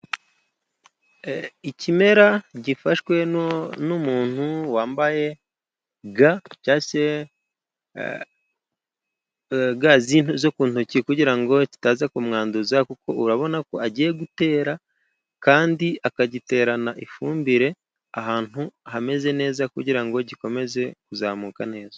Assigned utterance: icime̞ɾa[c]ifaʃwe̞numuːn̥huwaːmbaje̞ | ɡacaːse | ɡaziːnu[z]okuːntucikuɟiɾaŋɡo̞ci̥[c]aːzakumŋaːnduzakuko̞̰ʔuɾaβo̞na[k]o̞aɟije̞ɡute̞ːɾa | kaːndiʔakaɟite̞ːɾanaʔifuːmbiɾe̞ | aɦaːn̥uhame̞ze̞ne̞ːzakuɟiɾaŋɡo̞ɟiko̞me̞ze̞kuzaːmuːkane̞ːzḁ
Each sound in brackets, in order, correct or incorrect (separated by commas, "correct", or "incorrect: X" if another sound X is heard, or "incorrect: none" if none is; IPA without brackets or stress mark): incorrect: ɟ, correct, incorrect: t, correct